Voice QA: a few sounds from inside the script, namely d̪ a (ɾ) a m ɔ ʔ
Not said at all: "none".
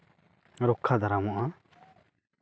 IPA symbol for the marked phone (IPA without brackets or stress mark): ɾ